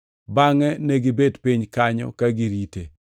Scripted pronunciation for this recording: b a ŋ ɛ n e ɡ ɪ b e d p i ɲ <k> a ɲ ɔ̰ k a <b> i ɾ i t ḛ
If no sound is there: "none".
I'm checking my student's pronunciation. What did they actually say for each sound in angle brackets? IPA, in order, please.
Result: k, ɡ

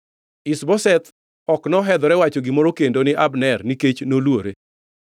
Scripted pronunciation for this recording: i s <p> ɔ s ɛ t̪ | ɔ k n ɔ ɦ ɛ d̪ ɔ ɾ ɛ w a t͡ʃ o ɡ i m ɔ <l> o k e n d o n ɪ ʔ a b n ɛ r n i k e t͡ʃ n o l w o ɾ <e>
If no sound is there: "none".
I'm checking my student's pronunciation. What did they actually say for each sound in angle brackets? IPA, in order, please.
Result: b, ɾ, e

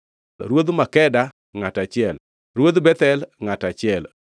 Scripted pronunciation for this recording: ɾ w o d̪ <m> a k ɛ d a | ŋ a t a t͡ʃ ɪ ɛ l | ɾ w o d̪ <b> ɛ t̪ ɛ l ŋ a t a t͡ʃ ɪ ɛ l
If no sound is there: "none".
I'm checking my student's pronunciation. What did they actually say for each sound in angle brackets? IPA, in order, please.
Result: m, b

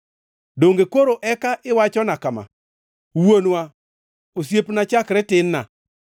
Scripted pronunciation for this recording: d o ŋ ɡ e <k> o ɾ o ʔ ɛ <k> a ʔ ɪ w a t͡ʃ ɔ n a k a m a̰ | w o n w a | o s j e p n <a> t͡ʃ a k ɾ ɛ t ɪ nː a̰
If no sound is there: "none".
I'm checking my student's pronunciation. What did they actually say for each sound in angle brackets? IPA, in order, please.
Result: k, k, a

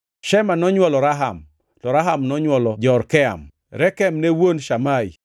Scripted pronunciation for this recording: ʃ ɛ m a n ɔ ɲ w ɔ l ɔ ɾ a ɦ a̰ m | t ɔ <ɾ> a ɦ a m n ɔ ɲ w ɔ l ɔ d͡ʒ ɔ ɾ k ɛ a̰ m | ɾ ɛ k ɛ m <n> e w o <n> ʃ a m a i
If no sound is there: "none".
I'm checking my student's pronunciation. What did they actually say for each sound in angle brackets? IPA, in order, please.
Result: ɾ, n, n

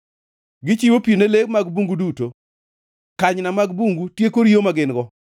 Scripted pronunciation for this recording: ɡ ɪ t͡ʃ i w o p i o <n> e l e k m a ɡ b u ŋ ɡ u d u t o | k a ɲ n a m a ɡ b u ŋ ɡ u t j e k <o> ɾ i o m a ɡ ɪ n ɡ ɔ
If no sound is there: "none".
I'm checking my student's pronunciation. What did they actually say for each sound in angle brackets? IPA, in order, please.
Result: n, o

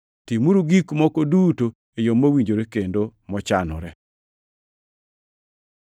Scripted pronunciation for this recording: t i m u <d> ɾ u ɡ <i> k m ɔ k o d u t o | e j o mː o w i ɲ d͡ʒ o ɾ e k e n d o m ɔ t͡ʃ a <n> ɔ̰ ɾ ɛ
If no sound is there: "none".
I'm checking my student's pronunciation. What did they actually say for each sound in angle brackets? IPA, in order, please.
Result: none, i, n

